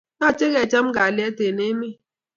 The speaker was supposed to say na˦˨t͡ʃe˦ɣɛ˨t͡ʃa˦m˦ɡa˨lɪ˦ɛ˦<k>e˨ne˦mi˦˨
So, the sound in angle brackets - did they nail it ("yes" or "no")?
no